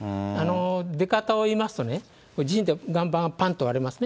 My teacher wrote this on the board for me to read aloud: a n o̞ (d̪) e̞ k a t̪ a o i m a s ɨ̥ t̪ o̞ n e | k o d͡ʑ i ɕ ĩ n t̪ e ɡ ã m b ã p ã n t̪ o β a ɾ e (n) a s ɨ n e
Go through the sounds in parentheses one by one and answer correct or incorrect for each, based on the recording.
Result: correct, incorrect

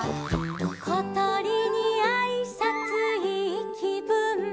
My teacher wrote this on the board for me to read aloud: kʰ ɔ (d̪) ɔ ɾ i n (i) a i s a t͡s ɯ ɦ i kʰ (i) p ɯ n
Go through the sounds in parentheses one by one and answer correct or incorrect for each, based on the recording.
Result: incorrect, correct, correct

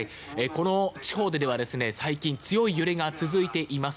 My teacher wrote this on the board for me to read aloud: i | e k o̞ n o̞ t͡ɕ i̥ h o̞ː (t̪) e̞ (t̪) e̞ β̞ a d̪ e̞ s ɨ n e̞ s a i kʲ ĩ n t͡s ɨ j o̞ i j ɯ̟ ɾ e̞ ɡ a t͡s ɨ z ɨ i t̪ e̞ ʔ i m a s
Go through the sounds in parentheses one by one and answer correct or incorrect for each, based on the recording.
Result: incorrect, incorrect

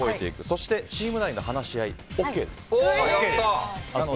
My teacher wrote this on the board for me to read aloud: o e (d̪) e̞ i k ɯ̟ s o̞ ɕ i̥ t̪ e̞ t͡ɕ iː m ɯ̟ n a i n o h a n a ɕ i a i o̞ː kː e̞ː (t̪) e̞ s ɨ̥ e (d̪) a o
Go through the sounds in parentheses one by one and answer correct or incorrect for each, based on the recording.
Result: incorrect, incorrect, incorrect

